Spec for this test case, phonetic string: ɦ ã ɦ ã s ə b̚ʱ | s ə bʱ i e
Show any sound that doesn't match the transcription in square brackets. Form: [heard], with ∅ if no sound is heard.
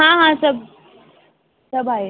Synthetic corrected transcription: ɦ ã ɦ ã s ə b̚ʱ | s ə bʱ [a] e